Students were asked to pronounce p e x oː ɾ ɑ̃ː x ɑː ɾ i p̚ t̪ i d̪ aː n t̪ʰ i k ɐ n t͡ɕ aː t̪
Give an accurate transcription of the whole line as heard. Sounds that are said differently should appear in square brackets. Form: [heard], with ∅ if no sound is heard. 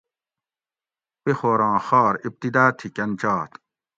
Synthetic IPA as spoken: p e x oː ɾ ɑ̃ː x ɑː ɾ i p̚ t̪ i d̪ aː [∅] t̪ʰ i k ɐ n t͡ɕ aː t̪